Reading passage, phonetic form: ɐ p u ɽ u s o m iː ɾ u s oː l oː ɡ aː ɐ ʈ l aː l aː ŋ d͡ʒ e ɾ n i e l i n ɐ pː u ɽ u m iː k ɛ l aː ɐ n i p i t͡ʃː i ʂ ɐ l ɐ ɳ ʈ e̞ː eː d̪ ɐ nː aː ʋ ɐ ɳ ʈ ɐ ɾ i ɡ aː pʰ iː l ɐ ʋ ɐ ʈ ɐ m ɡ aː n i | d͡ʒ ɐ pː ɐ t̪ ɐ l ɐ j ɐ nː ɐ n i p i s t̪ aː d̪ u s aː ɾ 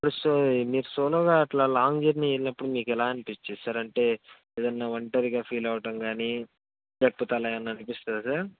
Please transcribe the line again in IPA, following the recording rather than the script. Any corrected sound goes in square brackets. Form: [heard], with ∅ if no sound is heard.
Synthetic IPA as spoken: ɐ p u ɽ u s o m iː ɾ u s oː l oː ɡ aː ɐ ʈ l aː l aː ŋ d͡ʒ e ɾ n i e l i n ɐ pː u ɽ u m iː k ɛ l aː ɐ n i p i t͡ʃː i [s] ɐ [ɾ] ɐ ɳ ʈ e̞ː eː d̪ ɐ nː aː ʋ ɐ ɳ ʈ ɐ ɾ i ɡ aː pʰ iː l ɐ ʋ ɐ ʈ ɐ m ɡ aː n i | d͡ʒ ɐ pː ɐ t̪ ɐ l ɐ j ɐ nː ɐ n i p i s t̪ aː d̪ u s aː ɾ